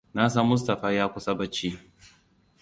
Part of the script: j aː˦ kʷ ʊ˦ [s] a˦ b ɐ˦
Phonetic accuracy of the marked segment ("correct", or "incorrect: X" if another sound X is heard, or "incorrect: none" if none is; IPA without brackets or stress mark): correct